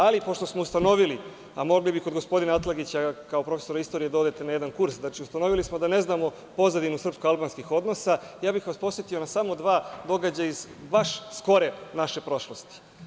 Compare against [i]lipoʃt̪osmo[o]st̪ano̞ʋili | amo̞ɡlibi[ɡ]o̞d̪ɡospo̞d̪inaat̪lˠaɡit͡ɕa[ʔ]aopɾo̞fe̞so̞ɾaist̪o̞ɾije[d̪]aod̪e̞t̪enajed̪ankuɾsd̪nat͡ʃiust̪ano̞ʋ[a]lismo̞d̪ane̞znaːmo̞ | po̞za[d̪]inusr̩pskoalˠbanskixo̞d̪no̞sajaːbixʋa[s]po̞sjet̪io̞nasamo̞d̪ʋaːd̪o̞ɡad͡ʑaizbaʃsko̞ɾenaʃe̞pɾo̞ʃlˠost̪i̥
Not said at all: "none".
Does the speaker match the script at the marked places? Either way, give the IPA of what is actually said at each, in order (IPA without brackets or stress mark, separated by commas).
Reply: a, u, k, k, d̪, i, d̪, s